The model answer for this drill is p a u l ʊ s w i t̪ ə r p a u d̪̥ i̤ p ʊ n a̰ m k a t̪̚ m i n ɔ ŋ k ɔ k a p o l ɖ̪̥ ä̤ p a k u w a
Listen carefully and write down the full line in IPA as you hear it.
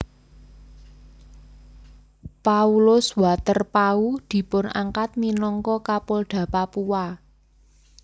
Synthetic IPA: p a u l ʊ s w a t̪ ə r p a u d̪̥ i̤ p ʊ n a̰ ŋ k a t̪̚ m i n ɔ ŋ k ɔ k a p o l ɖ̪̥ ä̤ p a p u w a